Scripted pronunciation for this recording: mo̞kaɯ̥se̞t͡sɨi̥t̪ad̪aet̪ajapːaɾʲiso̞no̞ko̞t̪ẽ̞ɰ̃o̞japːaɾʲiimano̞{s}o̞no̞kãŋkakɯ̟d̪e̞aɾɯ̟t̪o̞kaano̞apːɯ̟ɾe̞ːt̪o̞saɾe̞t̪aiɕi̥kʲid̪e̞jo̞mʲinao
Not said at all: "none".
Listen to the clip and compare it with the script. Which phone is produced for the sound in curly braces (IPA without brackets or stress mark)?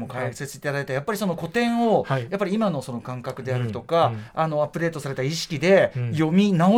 s